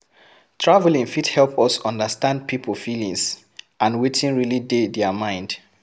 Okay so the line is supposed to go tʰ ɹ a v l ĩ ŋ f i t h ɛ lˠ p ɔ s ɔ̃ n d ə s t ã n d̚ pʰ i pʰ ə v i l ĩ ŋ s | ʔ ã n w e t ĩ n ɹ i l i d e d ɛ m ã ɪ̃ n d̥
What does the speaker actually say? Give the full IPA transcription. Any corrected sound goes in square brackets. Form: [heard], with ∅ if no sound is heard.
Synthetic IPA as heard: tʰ ɹ a v l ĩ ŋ f i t h ɛ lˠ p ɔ s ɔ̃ n d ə s t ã n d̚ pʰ i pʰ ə [f] i l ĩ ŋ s | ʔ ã n w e t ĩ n ɹ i l i d e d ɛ m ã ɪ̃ n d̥